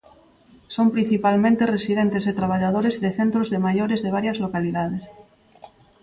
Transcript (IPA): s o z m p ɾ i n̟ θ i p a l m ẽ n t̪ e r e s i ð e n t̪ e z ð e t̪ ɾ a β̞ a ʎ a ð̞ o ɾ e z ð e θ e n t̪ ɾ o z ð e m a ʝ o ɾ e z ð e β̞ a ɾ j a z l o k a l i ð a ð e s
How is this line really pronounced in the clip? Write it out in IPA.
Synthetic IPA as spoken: s o m p ɾ i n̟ θ i p a l m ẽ n t̪ e r e s i ð e n t̪ e z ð e t̪ ɾ a β̞ a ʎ a ð̞ o ɾ e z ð e θ e n t̪ ɾ o z ð e m a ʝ o ɾ e z ð e β̞ a ɾ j a z l o k a l i ð a ð e s